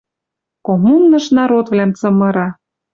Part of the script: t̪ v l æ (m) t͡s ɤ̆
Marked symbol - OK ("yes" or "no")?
yes